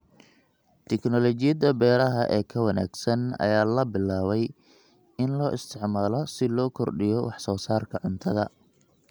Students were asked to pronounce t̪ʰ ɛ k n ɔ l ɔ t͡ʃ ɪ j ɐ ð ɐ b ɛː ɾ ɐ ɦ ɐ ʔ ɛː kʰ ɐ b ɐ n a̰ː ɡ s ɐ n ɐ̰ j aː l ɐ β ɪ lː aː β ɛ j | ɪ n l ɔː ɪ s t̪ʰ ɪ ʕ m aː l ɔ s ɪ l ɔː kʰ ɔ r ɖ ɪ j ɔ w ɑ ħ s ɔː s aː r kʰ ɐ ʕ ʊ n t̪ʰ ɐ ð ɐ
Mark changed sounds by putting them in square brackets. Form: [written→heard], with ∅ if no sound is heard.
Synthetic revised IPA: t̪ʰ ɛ k n ɔ l ɔ t͡ʃ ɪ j ɐ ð ɐ b ɛː ɾ ɐ ɦ ɐ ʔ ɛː kʰ ɐ [b→w] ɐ n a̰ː ɡ s ɐ n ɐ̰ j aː l ɐ [β→b] ɪ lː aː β ɛ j | ɪ n l ɔː ɪ s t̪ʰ ɪ ʕ m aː l ɔ s ɪ l ɔː kʰ ɔ r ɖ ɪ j ɔ w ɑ ħ s ɔː s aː r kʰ ɐ ʕ ʊ n t̪ʰ ɐ ð ɐ